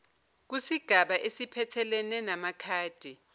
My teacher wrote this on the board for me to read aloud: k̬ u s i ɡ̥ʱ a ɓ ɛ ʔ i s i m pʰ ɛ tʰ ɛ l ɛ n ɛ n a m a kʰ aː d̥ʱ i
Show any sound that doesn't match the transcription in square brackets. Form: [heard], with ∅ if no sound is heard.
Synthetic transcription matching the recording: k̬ u s i ɡ̥ʱ a ɓ [a] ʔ [e] s i [∅] pʰ ɛ tʰ ɛ l ɛ n ɛ n a m a kʰ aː d̥ʱ i